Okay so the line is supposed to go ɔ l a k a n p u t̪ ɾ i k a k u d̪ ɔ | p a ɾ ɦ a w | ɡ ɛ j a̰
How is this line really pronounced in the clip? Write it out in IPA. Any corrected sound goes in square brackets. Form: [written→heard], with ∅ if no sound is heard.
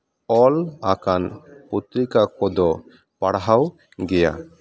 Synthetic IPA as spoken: ɔ l a k a n p u t̪ ɾ i k a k [u→ɔ] d̪ ɔ | p a [ɾ→ɽ] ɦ a w | ɡ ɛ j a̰